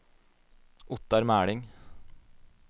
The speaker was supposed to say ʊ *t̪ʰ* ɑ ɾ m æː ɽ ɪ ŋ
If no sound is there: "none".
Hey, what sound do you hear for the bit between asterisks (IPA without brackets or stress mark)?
t̪